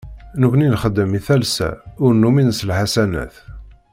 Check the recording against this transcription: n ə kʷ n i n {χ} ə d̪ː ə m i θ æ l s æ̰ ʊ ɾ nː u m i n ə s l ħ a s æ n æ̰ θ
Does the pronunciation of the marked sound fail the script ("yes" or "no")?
no